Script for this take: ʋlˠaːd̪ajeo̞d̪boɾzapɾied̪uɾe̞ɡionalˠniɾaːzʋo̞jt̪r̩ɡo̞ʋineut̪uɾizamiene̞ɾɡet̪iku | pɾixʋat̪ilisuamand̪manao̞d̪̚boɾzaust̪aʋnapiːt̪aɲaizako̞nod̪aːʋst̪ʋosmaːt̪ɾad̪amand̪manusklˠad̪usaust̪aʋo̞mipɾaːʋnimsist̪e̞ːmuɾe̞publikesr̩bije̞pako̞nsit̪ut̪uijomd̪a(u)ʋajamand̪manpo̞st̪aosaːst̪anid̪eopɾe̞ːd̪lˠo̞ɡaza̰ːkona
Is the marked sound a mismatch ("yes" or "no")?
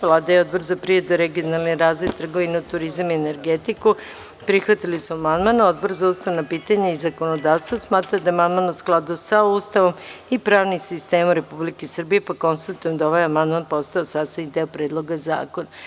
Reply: yes